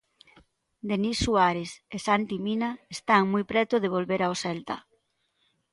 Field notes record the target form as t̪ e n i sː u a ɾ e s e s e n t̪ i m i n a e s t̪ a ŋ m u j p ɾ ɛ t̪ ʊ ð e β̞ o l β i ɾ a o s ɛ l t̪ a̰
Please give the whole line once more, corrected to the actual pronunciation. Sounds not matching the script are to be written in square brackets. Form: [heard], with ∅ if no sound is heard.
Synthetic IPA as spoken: [d̪] e n i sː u a ɾ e s e s [a] n t̪ i m i n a e s t̪ a ŋ m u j p ɾ ɛ t̪ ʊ ð e β̞ o l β [e] ɾ a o s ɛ l t̪ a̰